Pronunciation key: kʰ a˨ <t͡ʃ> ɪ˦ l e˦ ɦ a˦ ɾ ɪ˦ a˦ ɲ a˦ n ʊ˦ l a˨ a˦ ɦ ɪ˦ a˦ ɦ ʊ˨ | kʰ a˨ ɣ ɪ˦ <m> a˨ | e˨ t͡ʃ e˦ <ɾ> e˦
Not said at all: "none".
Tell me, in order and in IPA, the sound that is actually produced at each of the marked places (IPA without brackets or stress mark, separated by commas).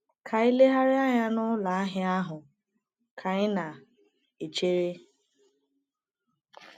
none, n, ɾ